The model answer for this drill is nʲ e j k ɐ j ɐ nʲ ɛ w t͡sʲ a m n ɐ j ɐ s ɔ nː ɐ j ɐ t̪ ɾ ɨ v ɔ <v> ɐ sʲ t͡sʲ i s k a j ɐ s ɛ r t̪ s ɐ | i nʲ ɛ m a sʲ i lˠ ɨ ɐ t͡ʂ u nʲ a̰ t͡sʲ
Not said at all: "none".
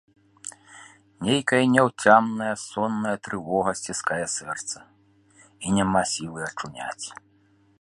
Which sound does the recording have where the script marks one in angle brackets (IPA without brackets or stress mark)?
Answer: ɣ